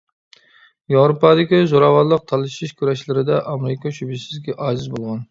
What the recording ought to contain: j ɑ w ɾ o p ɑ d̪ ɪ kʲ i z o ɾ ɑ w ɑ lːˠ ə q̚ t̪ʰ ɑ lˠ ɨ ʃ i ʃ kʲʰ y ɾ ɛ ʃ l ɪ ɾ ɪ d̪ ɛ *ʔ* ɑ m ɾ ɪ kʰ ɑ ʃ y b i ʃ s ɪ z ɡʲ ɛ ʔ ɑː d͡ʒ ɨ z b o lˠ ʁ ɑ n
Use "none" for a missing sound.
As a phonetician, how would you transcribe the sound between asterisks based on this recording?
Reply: ʔ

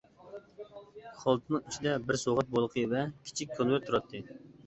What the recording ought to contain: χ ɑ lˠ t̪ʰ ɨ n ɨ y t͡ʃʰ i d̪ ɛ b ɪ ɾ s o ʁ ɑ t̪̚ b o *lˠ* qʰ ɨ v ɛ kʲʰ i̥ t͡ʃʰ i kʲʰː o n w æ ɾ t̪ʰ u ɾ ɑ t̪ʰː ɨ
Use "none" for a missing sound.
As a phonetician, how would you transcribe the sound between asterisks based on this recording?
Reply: lˠ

